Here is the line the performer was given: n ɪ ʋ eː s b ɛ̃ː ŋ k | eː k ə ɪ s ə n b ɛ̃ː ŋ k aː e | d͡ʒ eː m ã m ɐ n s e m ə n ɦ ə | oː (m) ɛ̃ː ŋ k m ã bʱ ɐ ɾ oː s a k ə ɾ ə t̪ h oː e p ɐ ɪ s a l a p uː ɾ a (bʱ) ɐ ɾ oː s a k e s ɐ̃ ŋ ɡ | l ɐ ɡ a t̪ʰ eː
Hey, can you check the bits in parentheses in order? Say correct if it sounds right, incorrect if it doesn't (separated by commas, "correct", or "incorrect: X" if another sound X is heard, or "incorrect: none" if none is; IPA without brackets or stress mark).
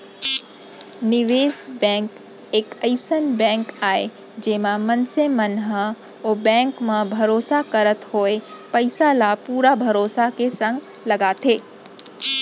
incorrect: b, correct